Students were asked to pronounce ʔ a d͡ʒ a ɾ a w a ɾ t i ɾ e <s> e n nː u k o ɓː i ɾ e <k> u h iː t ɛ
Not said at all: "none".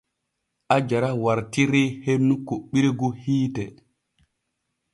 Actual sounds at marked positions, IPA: h, ɡ

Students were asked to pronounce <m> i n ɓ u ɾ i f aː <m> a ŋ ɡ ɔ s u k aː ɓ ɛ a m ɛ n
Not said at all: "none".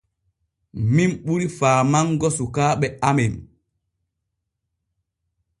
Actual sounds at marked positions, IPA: m, m

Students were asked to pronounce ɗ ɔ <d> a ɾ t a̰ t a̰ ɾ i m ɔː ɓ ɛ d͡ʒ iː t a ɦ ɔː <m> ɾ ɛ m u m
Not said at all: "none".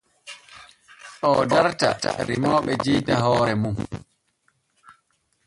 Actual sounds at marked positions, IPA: d, none

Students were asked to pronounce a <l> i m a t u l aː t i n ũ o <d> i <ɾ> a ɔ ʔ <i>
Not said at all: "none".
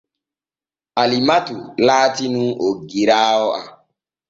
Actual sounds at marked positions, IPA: l, ɡ, ɾ, a

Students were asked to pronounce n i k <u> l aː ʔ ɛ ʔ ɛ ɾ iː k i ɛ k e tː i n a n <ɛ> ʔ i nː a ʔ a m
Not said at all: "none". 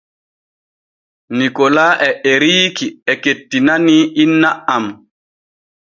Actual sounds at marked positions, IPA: ɔ, i

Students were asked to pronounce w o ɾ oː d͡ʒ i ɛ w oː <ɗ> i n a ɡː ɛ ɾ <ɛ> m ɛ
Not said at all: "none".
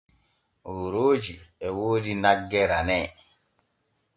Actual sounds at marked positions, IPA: d, a

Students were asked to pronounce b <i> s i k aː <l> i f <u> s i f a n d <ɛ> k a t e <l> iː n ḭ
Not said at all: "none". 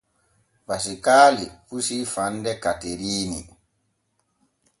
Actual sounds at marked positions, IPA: a, l, u, ɛ, ɾ

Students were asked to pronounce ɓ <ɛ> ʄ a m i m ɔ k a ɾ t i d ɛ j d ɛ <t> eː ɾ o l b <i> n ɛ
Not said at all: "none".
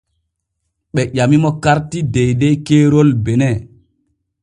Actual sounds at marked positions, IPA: ɛ, k, ɛ

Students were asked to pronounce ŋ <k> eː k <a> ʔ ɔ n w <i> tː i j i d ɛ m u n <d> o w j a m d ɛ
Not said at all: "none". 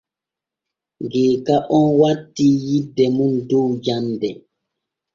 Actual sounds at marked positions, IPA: ɡ, a, a, d

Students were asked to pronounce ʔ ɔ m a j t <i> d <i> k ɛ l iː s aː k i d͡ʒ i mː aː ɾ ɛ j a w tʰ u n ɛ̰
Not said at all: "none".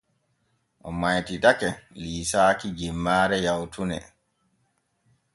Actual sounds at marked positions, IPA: i, a

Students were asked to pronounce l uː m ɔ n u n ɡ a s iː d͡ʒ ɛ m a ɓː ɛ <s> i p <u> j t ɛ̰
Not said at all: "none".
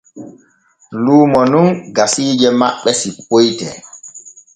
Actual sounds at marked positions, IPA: s, o

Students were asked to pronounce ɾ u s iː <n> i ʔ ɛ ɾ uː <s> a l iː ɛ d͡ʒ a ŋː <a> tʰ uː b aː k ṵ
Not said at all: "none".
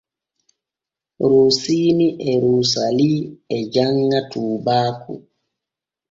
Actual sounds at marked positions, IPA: n, s, a

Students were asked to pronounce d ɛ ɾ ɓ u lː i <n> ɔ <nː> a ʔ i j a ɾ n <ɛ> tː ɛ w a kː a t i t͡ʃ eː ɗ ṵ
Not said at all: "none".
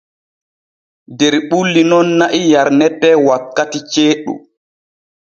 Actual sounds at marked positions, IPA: n, nː, ɛ

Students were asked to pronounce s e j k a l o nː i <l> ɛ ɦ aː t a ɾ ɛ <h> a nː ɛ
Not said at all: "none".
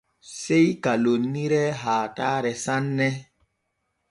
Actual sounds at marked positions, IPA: ɾ, s

